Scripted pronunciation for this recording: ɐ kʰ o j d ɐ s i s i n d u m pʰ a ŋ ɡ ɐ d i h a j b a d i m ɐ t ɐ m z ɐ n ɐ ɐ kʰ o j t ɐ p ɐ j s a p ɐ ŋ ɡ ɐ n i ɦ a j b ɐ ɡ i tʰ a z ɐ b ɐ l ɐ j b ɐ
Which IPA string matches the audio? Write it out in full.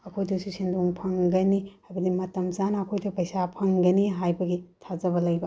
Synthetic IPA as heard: ɐ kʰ o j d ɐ s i s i n d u ŋ pʰ ɐ ŋ ɡ ɐ n i h a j b ɐ d i m ɐ t ɐ m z a n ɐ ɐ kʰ o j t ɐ p ɐ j s a pʰ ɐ ŋ ɡ ɐ n i ɦ a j b ɐ ɡ i tʰ a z ɐ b ɐ l ɐ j b ɐ